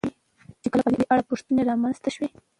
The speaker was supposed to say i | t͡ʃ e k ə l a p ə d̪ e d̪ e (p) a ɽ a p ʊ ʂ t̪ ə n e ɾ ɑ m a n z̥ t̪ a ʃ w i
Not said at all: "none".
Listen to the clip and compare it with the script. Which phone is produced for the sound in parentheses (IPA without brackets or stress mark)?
ʔ